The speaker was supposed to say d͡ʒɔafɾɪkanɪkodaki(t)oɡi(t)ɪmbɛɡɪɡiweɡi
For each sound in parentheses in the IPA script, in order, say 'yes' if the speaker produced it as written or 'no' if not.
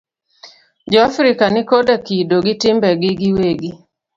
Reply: no, yes

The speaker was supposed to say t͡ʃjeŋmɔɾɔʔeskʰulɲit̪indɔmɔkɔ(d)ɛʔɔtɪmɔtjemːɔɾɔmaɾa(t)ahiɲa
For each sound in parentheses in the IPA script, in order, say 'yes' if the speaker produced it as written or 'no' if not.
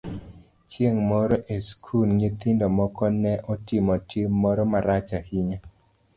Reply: no, no

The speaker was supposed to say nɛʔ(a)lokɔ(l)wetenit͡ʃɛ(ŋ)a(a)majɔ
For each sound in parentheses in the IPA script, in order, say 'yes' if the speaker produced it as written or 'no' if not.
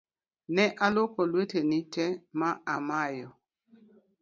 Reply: yes, yes, no, yes

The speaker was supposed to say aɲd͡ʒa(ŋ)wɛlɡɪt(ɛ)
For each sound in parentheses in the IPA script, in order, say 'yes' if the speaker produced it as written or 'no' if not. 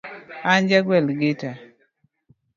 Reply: no, no

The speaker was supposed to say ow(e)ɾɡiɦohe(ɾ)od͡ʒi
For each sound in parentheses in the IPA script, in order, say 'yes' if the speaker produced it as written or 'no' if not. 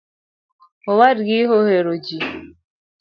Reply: no, yes

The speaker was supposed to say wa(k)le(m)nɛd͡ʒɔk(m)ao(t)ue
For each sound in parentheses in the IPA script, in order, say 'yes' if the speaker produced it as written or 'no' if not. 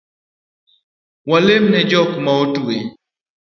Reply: no, yes, yes, yes

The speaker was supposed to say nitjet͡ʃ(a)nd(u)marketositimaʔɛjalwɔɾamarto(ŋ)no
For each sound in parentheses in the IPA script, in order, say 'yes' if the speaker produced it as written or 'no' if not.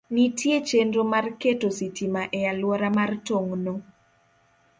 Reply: no, no, yes

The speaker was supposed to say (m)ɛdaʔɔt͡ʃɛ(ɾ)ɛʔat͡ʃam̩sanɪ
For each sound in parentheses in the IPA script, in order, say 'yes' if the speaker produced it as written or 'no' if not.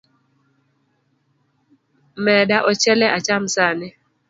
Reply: yes, no

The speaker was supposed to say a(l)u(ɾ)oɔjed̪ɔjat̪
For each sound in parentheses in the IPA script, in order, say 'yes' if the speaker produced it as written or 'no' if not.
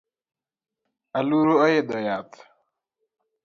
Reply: yes, yes

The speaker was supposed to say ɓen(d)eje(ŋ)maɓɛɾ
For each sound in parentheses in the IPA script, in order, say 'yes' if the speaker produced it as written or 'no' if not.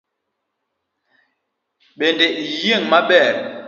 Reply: yes, yes

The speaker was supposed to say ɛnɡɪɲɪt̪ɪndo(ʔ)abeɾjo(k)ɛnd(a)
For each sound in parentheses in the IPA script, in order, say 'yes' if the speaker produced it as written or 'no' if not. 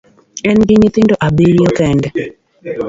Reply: yes, yes, no

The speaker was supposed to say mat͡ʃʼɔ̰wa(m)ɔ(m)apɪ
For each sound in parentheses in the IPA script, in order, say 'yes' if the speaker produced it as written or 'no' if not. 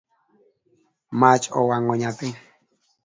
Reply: no, no

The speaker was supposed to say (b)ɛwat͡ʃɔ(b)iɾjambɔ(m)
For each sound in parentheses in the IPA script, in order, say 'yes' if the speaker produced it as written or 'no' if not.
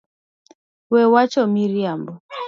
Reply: no, no, no

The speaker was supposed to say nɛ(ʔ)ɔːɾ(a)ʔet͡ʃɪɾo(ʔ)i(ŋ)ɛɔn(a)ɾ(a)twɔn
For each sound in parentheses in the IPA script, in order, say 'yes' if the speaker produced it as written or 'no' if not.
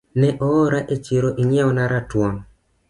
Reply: yes, yes, yes, no, yes, yes

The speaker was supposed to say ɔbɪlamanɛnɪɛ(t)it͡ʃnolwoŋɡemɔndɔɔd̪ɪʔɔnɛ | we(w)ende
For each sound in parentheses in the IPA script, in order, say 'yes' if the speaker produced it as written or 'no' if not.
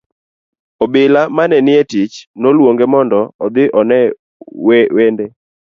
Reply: yes, yes

